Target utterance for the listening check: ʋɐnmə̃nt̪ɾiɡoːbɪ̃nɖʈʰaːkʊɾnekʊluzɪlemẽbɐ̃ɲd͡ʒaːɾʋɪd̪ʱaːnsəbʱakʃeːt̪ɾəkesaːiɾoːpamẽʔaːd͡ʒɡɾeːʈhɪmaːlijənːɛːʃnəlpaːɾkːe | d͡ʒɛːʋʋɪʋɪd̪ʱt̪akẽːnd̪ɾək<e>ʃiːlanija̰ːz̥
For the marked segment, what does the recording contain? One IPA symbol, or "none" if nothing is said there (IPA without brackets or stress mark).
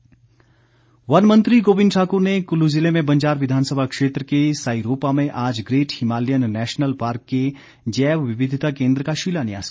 a